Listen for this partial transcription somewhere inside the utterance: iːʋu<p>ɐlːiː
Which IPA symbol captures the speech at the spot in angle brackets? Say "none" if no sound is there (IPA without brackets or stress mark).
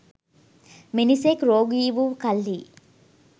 k